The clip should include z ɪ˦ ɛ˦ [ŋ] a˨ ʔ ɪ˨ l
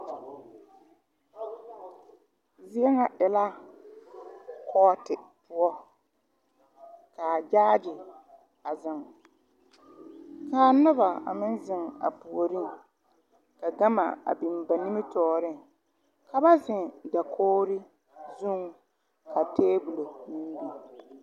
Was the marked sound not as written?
no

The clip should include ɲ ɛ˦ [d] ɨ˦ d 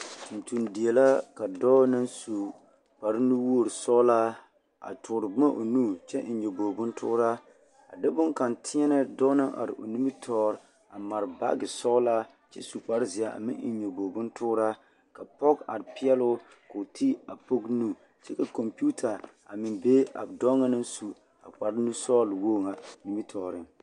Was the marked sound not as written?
yes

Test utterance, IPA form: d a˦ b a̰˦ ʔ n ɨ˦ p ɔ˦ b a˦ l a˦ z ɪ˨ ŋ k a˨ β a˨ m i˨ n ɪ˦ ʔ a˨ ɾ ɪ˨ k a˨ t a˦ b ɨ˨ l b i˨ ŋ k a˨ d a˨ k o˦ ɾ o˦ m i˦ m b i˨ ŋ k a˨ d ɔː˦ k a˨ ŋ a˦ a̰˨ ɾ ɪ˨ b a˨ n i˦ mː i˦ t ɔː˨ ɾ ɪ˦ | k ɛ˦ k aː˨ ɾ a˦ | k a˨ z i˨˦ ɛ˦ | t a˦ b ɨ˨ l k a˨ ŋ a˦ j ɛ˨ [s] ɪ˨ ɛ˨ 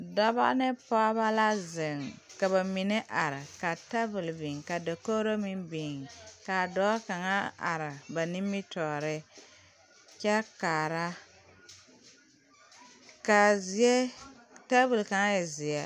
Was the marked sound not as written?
yes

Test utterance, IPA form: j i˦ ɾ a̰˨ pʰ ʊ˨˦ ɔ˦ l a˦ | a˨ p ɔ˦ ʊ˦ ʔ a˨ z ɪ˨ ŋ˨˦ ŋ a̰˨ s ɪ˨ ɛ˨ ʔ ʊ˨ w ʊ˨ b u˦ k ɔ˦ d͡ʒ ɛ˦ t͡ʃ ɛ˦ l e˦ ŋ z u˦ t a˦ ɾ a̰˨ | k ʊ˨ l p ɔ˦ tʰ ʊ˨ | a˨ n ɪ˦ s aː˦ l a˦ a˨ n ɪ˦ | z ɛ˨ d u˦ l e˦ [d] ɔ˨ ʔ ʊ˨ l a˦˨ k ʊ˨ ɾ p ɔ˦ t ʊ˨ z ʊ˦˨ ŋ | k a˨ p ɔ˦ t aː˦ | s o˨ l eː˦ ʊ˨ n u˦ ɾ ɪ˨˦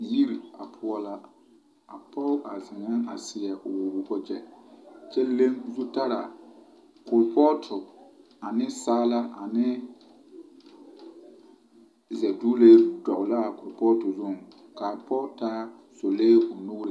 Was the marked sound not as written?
no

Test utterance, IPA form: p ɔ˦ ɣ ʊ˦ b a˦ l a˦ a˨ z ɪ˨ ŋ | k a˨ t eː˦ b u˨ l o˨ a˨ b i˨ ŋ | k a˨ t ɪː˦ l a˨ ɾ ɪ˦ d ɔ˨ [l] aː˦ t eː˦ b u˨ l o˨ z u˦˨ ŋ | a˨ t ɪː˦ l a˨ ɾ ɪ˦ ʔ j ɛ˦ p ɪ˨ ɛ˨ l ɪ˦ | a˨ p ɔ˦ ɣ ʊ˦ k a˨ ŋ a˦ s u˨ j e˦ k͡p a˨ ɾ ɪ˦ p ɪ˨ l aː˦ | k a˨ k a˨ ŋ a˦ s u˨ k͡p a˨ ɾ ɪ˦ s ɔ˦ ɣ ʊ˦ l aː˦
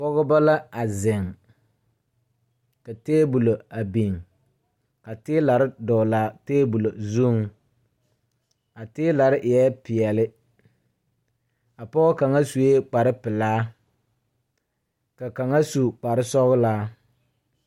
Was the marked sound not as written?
no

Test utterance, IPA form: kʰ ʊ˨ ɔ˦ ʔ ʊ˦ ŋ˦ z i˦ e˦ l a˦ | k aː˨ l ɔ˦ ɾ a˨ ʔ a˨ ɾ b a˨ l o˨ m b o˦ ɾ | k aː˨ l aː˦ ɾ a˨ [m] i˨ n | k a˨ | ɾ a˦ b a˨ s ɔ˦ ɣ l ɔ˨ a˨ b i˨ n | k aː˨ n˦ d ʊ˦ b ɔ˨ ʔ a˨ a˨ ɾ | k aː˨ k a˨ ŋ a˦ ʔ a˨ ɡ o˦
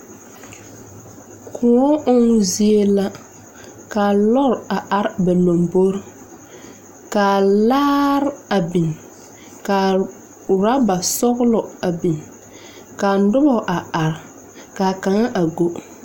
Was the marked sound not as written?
yes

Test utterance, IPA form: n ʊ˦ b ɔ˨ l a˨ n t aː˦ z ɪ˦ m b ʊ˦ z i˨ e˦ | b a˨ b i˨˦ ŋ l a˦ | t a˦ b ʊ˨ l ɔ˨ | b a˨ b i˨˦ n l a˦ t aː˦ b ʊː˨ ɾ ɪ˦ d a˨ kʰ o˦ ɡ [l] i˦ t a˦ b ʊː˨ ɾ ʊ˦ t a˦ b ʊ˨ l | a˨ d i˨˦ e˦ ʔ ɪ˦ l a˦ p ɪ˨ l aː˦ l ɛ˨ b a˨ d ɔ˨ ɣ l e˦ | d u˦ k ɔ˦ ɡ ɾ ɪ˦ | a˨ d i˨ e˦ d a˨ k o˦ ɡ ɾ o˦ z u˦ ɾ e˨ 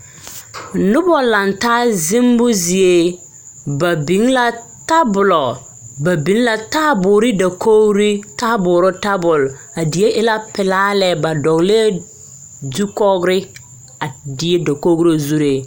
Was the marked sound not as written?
yes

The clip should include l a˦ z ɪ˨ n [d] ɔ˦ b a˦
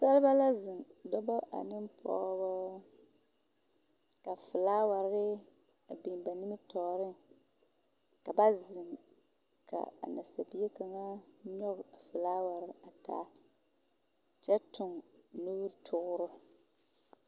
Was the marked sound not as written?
no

